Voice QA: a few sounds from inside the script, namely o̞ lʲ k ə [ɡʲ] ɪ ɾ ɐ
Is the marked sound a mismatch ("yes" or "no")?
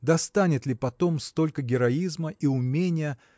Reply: no